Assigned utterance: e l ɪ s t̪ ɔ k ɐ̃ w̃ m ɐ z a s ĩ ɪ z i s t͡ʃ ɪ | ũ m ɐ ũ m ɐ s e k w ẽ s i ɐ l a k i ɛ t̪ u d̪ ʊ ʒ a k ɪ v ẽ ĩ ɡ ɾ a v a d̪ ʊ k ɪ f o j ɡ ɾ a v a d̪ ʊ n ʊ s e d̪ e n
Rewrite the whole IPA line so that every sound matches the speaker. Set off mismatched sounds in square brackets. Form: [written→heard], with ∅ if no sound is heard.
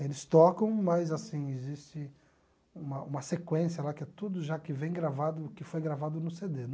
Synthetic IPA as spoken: e l ɪ s t̪ ɔ k ɐ̃ w̃ m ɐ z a s ĩ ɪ z i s t͡ʃ ɪ | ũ m ɐ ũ m ɐ s e k w ẽ s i ɐ l a k [i→ɪ] ɛ t̪ u d̪ ʊ ʒ a k ɪ v ẽ [ĩ→j̃] ɡ ɾ a v a d̪ ʊ k ɪ f o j ɡ ɾ a v a d̪ ʊ n ʊ s e d̪ e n